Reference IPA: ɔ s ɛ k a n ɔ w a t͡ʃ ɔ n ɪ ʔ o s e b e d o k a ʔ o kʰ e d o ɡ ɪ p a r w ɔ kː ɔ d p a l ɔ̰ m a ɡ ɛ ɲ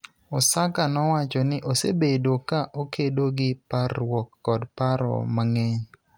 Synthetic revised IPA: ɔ s a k a n ɔ w a t͡ʃ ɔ n ɪ ʔ o s e b e d o k a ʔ o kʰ e d o ɡ ɪ p a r w ɔ kː ɔ d p a ɾ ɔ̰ m a ŋ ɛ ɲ